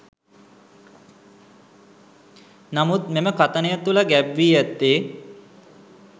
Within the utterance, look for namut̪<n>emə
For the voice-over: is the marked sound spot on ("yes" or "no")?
no